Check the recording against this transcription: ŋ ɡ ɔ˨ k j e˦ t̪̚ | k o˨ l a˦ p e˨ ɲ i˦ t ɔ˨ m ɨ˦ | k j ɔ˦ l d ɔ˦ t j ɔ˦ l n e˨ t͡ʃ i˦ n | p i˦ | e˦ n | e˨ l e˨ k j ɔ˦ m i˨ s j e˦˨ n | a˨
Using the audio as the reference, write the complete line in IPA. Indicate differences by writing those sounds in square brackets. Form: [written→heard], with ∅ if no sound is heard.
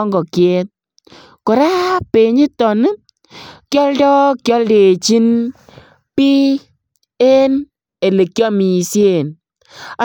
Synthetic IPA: ŋ ɡ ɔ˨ k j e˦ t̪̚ | k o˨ [l→ɾ] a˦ p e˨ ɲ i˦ t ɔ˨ [m→n] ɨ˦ | k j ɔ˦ l d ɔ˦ [t→k] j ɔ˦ l [n→d] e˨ t͡ʃ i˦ n | p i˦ | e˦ n | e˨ l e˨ k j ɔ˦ m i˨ s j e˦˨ n | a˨